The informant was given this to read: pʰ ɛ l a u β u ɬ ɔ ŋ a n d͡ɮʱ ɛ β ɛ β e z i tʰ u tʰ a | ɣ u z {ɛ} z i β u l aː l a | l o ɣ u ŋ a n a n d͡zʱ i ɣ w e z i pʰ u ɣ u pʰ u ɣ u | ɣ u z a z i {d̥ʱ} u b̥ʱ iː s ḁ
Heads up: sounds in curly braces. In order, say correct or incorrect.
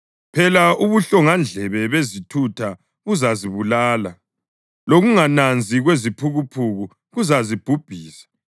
incorrect: a, incorrect: b̥ʱ

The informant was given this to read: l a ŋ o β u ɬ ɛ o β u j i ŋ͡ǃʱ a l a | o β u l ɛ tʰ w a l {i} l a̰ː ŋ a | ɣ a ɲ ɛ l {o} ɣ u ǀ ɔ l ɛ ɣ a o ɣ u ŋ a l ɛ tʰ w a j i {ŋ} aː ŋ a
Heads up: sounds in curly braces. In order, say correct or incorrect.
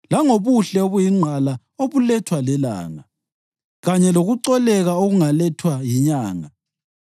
incorrect: ɛ, correct, incorrect: ɲ

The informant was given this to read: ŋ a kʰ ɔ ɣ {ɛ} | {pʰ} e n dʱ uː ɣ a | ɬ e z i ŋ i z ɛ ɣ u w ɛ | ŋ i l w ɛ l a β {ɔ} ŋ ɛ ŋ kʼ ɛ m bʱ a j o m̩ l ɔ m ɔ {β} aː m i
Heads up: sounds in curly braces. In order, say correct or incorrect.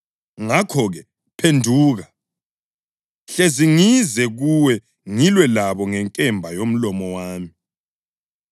correct, correct, correct, incorrect: w

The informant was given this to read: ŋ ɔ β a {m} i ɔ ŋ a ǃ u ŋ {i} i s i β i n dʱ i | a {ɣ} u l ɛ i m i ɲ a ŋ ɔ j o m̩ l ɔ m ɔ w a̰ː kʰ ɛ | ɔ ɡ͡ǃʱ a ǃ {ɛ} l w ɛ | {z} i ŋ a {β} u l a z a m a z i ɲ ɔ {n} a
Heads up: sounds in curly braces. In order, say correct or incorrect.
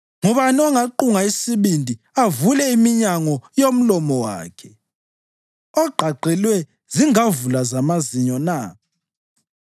incorrect: n, incorrect: a, incorrect: v, correct, correct, incorrect: v, correct

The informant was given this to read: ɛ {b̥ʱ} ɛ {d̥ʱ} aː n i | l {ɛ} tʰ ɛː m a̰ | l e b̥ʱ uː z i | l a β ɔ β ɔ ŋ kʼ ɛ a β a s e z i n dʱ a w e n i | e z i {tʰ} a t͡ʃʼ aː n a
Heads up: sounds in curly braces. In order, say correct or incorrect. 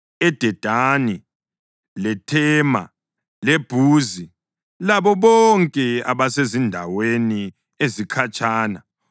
incorrect: d̥ʱ, correct, correct, incorrect: kʰ

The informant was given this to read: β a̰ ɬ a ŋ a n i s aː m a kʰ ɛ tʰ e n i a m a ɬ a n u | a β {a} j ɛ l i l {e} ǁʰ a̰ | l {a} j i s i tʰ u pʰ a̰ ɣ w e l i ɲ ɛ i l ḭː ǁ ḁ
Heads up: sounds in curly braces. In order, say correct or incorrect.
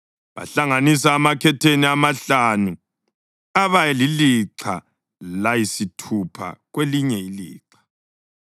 correct, incorrect: i, correct

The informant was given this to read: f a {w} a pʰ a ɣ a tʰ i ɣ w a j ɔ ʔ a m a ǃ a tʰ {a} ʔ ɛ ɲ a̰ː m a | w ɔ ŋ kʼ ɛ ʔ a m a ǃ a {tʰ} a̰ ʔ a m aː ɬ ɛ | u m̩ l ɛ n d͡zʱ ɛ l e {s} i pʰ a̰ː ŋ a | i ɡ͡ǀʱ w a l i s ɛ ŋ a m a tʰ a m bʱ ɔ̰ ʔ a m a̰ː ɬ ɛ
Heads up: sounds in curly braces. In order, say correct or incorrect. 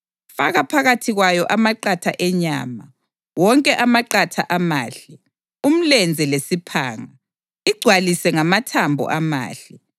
incorrect: ɣ, correct, correct, correct

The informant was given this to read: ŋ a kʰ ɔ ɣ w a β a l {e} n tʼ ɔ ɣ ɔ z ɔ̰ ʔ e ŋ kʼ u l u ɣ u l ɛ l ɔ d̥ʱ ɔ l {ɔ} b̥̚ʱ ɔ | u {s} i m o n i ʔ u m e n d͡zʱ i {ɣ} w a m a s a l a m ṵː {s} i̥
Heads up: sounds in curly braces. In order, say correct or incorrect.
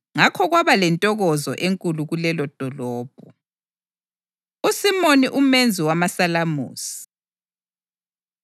incorrect: ɛ, incorrect: ɔː, correct, incorrect: none, correct

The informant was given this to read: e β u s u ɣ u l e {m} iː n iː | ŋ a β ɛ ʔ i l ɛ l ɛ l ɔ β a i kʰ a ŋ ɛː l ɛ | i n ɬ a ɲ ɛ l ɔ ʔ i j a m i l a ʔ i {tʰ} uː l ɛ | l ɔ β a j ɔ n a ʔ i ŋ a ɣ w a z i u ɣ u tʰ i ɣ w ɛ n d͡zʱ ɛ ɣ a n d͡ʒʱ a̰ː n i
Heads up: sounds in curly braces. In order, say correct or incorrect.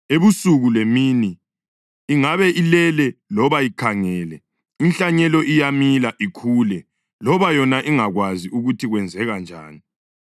correct, incorrect: kʰ

